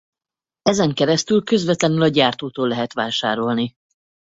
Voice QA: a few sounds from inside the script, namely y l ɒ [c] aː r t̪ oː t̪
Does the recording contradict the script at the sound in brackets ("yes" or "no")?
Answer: yes